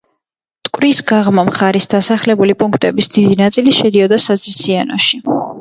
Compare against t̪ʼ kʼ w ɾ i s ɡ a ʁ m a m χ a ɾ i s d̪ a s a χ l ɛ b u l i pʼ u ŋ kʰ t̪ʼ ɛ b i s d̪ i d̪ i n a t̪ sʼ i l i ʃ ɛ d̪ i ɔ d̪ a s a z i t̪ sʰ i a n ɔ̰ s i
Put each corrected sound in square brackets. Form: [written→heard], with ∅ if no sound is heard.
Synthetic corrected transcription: t̪ʼ kʼ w ɾ i s ɡ a ʁ m a m χ a ɾ i s d̪ a s a χ l ɛ b u l i pʼ u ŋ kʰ t̪ʼ ɛ b i s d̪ i d̪ i n a t̪ sʼ i l i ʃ ɛ d̪ i ɔ d̪ a s a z i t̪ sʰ i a n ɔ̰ [s→ʃ] i